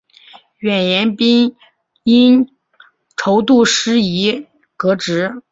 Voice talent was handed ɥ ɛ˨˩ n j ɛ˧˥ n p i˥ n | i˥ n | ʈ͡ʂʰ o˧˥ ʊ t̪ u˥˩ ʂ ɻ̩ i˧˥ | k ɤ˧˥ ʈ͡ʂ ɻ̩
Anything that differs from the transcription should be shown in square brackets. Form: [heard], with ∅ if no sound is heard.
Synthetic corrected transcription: ɥ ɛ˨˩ n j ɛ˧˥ n p i˥ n | i˥ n | ʈ͡ʂʰ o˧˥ ʊ t̪ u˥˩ ʂ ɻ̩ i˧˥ | k ɤ˧˥ ʈ͡ʂ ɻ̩